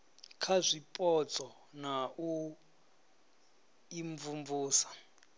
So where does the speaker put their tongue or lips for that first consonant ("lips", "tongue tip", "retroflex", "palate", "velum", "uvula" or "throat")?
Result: velum